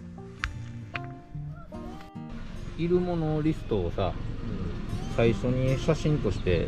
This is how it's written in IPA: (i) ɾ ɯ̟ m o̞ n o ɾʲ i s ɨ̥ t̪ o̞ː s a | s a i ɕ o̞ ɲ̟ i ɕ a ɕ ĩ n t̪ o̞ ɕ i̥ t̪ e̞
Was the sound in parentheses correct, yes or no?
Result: yes